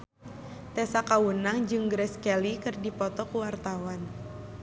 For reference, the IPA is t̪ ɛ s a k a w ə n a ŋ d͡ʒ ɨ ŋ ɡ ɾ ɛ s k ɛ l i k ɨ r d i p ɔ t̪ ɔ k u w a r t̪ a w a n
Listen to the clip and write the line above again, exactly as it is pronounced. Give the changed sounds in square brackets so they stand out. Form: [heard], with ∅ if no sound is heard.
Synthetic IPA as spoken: t̪ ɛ s a k a w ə n a ŋ d͡ʒ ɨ ŋ ɡ ɾ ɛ s k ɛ l i k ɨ r d i p ɔ t̪ ɔ k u w a r t̪ a w a n